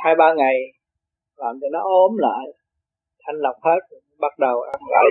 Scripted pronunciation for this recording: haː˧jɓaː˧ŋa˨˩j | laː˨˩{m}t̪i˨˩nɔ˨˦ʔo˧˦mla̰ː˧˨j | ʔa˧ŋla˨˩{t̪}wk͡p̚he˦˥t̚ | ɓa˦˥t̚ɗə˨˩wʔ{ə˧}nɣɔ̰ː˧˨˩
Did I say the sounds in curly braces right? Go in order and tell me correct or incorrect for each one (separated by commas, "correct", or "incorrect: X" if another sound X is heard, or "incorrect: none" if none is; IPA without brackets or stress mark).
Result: correct, incorrect: none, incorrect: a˧